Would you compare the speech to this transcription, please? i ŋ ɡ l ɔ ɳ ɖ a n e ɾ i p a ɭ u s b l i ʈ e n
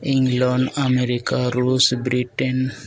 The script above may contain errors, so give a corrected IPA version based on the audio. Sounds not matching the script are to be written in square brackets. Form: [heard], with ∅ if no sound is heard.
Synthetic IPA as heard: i ŋ ɡ l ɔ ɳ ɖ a [m] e ɾ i [k] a [ɾ] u s b [ɾ] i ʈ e n